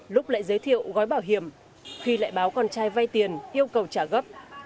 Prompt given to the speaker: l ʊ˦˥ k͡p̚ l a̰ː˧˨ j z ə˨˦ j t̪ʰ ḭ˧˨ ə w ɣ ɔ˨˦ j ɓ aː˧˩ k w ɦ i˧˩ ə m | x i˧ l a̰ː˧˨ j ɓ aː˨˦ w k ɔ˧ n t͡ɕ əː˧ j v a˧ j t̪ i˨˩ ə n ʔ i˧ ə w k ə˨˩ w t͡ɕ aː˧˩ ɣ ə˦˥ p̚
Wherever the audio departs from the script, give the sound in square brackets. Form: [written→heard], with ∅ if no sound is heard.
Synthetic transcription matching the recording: l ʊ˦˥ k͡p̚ l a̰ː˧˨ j z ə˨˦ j t̪ʰ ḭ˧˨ ə w ɣ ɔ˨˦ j ɓ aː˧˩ [k→∅] w ɦ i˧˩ ə m | x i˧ l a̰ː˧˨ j ɓ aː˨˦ w k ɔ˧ n t͡ɕ [əː˧→aː˧] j v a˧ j t̪ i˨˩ ə n ʔ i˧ ə w k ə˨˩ w t͡ɕ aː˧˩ ɣ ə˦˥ p̚

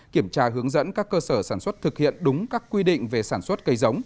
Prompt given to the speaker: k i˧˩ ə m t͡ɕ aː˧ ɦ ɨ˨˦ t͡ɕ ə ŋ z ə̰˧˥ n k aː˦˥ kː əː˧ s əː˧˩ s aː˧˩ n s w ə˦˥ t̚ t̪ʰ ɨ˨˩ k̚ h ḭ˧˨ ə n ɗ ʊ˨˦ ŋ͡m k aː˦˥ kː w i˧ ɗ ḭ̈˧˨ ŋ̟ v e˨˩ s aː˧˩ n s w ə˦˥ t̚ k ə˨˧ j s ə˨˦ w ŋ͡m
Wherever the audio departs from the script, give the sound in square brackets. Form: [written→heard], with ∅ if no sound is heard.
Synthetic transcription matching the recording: k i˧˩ ə m t͡ɕ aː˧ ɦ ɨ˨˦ [t͡ɕ→∅] ə ŋ z ə̰˧˥ n k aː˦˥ kː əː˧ s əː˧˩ s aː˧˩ n s w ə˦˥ t̚ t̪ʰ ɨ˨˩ k̚ h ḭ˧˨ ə n ɗ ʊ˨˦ ŋ͡m k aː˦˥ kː w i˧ ɗ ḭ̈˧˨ ŋ̟ v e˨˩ s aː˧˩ n s w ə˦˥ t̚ k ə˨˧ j [s→z] ə˨˦ w ŋ͡m

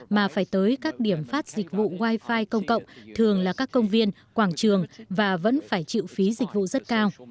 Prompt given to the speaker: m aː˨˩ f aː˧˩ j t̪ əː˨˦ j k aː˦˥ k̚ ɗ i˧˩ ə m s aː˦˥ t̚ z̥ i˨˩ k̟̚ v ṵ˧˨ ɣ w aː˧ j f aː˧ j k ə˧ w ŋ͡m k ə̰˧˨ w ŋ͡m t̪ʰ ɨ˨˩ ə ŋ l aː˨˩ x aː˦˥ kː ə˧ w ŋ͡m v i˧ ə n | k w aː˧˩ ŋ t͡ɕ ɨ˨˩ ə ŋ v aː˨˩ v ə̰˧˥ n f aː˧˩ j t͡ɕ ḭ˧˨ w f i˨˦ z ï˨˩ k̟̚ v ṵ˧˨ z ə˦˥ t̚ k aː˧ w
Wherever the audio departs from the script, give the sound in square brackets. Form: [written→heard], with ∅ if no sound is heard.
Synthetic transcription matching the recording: m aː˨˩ f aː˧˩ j t̪ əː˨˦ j k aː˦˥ k̚ ɗ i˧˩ ə m [s→f] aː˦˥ t̚ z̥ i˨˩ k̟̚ v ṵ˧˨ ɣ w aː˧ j f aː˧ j k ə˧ w ŋ͡m k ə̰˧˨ w ŋ͡m t̪ʰ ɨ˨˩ ə ŋ l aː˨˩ [x→k] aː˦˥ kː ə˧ w ŋ͡m v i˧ ə n | k w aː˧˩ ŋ t͡ɕ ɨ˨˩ ə ŋ v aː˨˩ v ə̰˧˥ n f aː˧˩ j t͡ɕ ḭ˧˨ w f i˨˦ z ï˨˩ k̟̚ v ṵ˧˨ z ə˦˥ t̚ k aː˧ w

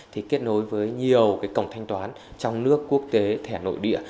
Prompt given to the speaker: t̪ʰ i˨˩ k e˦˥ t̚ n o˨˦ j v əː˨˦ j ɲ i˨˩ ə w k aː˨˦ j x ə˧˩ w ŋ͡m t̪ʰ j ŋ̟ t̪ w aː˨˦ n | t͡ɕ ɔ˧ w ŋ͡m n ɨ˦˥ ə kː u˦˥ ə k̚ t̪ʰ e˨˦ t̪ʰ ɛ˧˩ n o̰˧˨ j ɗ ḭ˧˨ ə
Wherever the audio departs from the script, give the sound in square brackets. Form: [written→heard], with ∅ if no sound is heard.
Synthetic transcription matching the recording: t̪ʰ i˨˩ k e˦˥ t̚ n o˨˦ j v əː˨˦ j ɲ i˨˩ ə w k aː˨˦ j [x→k] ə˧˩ w ŋ͡m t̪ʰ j ŋ̟ t̪ w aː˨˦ n | t͡ɕ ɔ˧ w ŋ͡m n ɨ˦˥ ə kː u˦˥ ə k̚ [t̪ʰ→t̪] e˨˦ t̪ʰ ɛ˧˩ n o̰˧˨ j ɗ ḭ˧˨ ə

